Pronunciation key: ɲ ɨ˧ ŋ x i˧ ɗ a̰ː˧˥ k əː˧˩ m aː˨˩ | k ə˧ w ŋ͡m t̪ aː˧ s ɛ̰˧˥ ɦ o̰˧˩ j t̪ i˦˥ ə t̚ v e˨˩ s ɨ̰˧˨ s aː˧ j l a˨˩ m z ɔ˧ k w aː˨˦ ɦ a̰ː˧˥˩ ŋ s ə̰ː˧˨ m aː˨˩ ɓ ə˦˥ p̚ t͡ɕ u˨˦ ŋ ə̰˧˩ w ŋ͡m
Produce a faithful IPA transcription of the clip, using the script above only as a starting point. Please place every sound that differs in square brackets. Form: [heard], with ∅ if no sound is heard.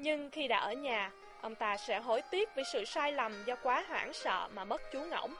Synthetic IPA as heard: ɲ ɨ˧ ŋ x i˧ ɗ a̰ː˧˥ [ʔ] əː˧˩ [ɲ] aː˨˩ | [ʔ] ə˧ w ŋ͡m t̪ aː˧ s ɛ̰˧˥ ɦ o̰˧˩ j t̪ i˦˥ ə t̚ v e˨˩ s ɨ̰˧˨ s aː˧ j l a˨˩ m z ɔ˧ k w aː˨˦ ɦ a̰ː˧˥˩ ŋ s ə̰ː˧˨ m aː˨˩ ɓ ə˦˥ [t̚] t͡ɕ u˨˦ ŋ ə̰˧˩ w ŋ͡m